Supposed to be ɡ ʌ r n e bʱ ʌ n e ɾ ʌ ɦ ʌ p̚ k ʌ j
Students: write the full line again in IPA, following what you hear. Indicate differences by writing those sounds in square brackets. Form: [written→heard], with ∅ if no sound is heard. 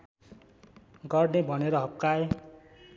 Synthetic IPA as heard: ɡ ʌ r n e bʱ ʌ n e ɾ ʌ ɦ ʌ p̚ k [ʌ→a] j